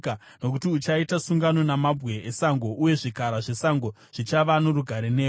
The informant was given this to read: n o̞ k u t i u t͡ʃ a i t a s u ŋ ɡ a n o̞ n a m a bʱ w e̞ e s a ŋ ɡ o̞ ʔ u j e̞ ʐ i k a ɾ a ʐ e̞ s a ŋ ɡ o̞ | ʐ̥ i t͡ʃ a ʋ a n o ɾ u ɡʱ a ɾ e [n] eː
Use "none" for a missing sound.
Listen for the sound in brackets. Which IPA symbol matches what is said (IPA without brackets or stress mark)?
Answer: n